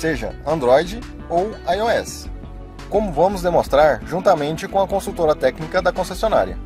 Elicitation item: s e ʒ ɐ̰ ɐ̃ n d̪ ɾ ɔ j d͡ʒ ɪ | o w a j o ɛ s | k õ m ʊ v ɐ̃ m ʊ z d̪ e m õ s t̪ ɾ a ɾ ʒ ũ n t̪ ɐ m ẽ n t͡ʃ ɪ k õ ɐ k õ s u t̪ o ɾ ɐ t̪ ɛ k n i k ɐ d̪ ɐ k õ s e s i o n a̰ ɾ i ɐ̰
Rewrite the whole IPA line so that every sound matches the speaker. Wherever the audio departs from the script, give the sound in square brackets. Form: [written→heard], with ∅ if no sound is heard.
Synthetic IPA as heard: s e ʒ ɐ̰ ɐ̃ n d̪ ɾ ɔ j d͡ʒ ɪ | o w a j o ɛ s | k õ m ʊ v ɐ̃ m ʊ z d̪ e m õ s t̪ ɾ a ɾ ʒ ũ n t̪ ɐ m ẽ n t͡ʃ ɪ k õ ɐ k õ s u t̪ o ɾ ɐ t̪ ɛ k n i k ɐ d̪ ɐ k õ s e s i o n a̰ ɾ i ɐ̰